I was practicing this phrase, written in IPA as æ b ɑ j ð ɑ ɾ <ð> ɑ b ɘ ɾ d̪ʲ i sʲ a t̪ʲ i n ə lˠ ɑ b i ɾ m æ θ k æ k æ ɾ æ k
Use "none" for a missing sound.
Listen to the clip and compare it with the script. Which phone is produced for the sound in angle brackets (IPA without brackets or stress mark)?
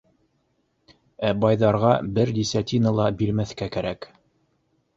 ʁ